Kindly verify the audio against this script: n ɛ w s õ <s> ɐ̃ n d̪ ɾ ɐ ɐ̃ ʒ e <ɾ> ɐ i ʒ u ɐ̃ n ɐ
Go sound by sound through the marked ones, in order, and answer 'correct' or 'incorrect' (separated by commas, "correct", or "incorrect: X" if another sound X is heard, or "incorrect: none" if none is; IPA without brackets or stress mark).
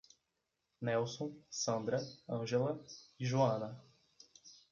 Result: correct, incorrect: l